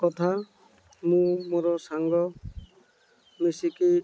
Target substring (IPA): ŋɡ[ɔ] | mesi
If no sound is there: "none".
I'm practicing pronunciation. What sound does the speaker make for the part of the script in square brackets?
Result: ɔ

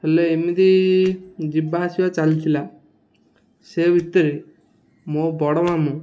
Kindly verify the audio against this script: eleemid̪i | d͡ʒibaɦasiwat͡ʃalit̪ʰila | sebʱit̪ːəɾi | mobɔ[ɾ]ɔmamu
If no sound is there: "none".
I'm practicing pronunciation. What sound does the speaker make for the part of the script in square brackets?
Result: ɽ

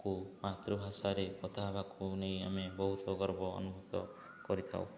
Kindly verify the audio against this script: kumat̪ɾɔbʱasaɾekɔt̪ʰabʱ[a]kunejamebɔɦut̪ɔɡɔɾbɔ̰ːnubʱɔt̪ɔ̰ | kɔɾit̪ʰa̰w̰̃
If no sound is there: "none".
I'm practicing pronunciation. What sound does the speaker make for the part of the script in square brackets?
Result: a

